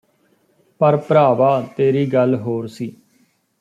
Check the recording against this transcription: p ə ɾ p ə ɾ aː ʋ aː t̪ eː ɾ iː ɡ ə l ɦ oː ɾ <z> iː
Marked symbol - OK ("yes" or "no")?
no